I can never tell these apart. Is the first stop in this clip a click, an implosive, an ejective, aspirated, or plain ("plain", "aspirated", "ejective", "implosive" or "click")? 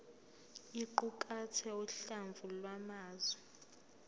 click